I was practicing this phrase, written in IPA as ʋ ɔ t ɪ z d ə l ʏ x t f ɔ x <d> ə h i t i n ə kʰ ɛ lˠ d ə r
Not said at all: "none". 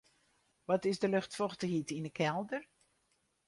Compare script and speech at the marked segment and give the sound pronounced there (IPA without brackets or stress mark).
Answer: t